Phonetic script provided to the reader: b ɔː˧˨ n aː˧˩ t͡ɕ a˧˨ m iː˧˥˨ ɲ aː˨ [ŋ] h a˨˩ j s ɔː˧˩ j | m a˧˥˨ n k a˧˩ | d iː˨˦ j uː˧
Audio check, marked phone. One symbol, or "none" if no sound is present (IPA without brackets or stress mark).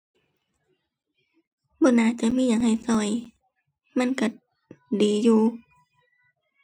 ŋ